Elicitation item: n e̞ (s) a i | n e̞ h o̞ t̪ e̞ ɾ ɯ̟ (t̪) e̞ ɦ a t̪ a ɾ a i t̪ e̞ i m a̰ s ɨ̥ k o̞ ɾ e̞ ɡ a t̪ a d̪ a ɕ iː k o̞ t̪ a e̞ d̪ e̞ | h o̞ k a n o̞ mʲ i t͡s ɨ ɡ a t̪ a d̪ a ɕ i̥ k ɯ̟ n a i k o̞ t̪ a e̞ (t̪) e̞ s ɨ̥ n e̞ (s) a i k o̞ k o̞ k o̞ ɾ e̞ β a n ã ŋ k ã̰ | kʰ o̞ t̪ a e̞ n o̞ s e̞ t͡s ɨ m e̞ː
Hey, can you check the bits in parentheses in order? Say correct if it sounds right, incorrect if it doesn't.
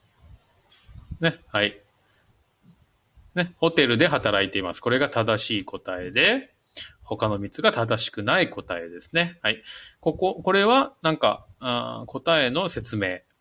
incorrect: h, incorrect: d̪, incorrect: d̪, incorrect: h

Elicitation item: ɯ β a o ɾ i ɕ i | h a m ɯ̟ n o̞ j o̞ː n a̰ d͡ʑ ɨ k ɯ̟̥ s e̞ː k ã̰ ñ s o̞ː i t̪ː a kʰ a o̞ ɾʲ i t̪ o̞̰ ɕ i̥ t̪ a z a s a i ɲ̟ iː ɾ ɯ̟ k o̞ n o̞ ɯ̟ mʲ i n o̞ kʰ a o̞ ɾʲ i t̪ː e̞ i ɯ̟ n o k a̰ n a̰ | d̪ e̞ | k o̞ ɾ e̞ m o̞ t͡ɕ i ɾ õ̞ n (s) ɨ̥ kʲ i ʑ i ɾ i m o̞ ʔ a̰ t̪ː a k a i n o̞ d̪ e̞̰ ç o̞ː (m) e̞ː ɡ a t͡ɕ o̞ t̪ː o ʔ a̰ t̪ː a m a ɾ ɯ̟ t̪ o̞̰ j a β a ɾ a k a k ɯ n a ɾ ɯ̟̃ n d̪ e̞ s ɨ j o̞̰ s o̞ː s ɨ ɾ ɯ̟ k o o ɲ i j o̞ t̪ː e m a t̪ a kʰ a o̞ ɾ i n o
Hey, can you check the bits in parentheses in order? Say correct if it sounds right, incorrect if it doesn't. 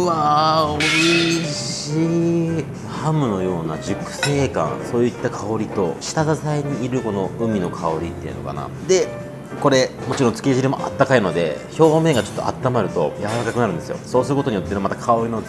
incorrect: t͡s, correct

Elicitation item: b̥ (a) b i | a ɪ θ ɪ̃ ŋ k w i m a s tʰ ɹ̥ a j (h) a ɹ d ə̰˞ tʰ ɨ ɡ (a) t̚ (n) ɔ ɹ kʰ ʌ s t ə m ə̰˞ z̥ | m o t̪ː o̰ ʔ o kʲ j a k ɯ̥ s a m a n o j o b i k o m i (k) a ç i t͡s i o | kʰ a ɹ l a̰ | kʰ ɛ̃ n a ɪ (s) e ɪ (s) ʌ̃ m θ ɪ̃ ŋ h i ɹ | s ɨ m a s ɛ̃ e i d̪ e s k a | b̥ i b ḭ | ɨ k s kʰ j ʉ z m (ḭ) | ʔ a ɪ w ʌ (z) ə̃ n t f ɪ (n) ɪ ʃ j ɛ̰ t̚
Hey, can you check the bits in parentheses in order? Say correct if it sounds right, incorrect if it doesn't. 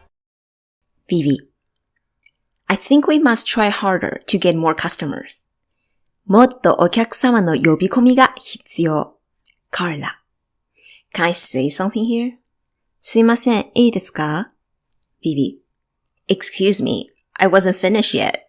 incorrect: i, correct, incorrect: ɛ, incorrect: m, incorrect: ɡ, correct, correct, correct, correct, correct

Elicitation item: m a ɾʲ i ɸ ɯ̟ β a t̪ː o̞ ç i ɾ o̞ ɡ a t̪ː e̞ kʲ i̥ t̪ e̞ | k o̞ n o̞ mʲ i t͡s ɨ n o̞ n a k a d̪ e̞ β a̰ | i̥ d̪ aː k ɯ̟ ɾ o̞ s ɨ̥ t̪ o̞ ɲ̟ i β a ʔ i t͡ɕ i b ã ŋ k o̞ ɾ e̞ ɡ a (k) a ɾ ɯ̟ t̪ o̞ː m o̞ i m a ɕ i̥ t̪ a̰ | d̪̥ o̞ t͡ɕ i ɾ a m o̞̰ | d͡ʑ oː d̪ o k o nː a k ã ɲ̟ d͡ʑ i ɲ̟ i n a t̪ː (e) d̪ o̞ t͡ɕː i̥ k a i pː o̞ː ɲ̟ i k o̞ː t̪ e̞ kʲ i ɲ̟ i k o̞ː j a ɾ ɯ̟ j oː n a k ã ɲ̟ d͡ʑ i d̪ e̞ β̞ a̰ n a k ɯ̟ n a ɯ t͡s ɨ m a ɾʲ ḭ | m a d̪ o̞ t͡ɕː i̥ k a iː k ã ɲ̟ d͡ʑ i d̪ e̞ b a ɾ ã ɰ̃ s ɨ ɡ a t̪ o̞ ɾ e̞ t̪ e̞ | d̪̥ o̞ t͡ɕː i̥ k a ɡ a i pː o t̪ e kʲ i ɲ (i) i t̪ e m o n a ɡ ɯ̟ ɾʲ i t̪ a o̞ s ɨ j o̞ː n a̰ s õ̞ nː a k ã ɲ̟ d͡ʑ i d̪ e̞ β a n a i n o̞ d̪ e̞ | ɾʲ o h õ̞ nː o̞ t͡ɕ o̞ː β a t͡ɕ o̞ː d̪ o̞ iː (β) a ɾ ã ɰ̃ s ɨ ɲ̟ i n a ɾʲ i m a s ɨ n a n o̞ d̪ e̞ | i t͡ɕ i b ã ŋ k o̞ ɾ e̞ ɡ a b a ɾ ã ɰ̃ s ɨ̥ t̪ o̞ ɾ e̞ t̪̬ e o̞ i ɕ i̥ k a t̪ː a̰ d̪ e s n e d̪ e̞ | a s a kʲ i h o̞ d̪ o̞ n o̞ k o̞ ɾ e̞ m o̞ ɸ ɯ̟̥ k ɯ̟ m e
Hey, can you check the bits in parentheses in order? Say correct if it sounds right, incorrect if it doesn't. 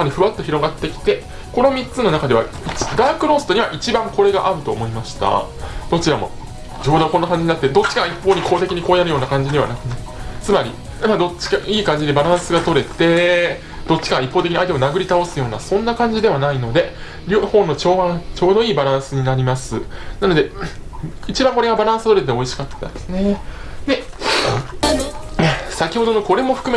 incorrect: ʔ, correct, incorrect: a, incorrect: b

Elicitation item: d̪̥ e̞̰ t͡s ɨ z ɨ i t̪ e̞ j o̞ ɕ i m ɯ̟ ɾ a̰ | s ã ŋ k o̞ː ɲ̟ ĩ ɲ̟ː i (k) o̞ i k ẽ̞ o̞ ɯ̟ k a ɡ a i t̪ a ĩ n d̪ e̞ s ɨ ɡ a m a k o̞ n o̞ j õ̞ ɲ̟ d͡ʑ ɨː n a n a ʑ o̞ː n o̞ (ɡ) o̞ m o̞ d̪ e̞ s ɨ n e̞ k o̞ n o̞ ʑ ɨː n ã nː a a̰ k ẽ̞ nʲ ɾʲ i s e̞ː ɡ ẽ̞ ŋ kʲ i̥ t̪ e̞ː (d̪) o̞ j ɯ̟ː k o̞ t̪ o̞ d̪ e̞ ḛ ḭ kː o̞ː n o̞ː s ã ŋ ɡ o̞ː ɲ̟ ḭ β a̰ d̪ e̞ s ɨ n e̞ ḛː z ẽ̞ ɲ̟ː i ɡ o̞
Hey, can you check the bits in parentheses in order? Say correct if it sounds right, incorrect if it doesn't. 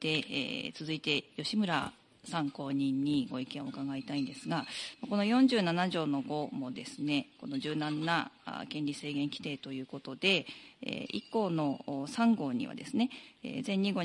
incorrect: ɡ, correct, incorrect: t̪

